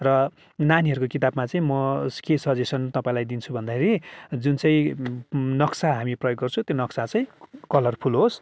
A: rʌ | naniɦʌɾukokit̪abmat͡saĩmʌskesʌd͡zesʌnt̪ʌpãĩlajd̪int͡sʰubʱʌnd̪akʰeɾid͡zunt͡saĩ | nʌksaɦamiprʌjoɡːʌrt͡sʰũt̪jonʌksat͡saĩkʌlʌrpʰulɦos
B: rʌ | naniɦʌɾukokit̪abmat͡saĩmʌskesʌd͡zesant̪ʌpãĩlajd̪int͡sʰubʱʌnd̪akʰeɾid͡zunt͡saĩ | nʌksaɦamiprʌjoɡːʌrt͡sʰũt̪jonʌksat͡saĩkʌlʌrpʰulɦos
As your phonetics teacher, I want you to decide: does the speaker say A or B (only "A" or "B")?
A